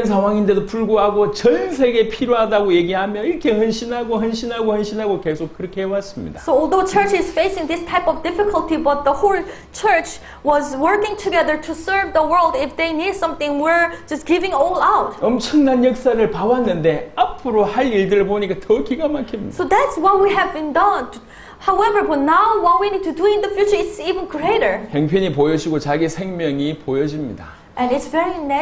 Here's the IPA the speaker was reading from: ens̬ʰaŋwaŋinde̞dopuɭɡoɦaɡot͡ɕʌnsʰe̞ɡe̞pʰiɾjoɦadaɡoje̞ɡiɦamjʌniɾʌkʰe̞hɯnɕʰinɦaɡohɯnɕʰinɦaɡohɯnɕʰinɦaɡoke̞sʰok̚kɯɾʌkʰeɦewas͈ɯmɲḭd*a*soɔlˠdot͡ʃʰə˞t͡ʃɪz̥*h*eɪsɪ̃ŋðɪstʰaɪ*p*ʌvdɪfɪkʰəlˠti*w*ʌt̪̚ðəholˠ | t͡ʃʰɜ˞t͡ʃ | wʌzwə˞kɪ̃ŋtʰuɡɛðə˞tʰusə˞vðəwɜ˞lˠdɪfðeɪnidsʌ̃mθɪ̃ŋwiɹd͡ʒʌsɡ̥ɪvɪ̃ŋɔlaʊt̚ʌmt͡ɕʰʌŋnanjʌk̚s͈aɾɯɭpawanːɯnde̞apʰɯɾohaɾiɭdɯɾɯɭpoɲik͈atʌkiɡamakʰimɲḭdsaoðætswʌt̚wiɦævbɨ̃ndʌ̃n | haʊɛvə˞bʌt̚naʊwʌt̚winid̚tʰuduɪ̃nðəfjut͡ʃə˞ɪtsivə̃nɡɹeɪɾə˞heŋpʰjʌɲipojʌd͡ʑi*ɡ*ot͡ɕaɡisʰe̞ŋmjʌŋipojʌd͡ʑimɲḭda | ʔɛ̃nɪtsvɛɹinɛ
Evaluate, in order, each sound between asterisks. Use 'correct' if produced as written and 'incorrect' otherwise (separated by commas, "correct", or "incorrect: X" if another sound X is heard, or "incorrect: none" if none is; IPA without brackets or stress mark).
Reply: correct, incorrect: f, correct, incorrect: b, correct